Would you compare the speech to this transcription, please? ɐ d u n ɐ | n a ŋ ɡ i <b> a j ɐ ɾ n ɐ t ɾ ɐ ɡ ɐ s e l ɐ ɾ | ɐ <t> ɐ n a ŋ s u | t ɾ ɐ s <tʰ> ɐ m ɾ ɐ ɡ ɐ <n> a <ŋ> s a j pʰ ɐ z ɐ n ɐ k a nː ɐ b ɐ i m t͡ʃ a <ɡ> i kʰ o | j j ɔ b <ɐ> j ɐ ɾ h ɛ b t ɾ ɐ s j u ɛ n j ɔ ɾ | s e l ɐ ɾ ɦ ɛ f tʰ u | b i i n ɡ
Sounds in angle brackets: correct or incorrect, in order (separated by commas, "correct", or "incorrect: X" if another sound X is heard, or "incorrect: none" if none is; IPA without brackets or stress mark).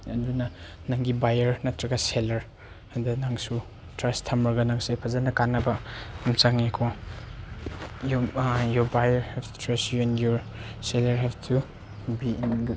correct, incorrect: d, correct, correct, correct, incorrect: ŋ, incorrect: a